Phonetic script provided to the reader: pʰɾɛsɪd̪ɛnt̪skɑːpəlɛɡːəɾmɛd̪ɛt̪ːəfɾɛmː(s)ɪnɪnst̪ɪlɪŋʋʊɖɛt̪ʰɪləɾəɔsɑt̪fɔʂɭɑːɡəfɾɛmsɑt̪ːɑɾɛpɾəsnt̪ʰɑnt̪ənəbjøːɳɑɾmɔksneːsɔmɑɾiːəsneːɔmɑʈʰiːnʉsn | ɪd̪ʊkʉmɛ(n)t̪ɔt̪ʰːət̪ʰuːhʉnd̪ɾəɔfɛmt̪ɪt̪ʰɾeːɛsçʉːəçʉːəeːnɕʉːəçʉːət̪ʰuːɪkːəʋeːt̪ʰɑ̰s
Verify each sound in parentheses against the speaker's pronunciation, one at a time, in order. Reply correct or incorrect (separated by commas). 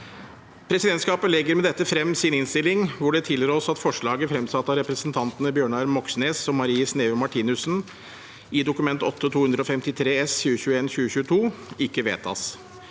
correct, correct